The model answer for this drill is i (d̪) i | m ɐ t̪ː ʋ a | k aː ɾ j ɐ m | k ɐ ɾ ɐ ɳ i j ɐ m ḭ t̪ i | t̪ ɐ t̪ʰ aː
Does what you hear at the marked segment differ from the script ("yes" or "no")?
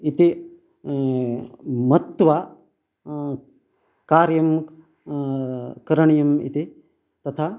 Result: yes